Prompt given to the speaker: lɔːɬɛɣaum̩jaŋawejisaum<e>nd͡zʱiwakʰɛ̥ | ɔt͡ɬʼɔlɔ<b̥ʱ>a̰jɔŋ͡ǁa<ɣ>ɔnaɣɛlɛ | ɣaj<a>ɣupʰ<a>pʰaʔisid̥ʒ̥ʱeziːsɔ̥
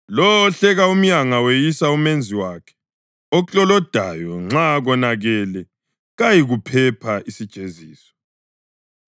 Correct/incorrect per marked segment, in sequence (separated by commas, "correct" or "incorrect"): correct, incorrect, correct, incorrect, incorrect